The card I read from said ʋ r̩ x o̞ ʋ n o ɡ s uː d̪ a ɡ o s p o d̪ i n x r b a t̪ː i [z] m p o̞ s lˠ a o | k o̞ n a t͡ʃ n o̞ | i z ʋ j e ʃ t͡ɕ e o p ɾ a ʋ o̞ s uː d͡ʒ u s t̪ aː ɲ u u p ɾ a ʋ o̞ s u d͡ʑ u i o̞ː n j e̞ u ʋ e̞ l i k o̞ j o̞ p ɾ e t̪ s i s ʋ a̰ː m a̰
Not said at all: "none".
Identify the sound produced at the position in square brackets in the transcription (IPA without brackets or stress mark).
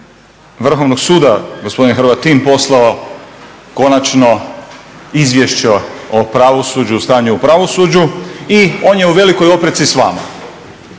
none